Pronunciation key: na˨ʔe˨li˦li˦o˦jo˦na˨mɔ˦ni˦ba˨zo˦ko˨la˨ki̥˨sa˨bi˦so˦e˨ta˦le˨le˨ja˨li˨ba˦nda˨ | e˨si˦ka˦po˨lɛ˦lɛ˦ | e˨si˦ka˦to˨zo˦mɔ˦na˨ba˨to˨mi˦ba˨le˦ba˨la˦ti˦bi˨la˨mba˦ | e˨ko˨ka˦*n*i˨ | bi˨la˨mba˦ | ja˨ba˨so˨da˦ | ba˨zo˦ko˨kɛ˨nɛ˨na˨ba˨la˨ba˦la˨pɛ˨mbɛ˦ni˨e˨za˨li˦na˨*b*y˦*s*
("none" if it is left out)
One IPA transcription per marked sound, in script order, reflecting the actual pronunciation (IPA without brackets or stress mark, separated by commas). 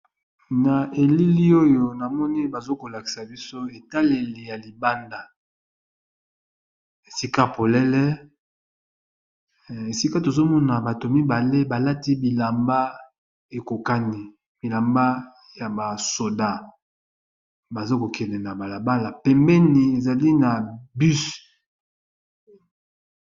n, b, s